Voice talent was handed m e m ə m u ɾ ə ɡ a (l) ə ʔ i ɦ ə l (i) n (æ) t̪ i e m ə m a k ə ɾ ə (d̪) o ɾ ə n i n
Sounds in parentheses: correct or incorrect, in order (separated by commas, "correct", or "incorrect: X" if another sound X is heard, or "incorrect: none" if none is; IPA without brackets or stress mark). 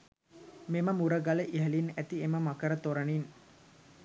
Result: correct, correct, correct, incorrect: t̪